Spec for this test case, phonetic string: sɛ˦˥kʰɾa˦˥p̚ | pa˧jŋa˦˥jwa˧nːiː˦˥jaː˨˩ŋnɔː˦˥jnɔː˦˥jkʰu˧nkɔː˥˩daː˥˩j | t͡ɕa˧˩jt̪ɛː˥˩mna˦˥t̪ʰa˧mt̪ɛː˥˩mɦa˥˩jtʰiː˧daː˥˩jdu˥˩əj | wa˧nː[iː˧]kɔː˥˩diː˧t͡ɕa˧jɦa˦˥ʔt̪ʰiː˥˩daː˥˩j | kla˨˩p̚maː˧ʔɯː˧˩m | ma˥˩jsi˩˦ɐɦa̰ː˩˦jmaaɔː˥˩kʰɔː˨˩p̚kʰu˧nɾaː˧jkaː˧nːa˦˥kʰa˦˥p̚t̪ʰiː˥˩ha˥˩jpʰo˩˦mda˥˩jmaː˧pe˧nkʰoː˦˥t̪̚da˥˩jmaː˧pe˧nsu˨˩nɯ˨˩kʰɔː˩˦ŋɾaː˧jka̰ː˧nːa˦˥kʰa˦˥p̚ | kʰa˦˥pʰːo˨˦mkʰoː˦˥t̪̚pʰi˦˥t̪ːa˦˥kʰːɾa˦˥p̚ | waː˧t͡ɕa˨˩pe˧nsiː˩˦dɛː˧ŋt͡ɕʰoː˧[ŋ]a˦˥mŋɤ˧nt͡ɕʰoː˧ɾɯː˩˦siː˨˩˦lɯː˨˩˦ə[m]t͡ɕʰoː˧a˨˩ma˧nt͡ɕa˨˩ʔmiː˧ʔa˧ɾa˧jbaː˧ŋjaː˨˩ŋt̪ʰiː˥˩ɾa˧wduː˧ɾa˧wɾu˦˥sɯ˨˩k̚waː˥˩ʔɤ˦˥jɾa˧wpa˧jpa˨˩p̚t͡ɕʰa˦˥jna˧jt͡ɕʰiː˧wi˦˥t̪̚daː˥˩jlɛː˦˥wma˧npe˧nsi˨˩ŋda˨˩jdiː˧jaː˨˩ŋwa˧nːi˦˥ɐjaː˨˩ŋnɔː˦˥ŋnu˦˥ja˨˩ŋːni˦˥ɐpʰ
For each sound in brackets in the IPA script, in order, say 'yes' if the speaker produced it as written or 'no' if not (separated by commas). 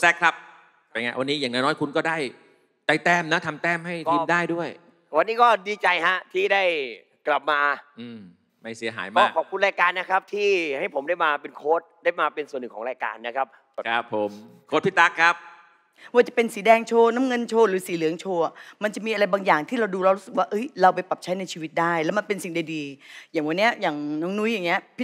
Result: no, no, no